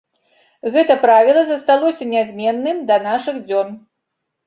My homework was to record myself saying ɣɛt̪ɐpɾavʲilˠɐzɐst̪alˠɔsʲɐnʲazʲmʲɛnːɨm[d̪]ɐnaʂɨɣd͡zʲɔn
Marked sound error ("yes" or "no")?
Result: no